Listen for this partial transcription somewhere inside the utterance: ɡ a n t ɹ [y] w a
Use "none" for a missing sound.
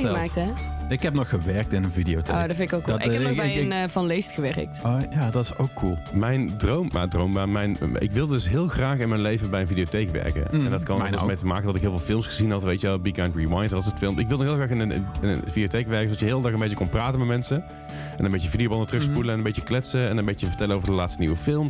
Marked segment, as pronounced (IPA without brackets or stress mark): i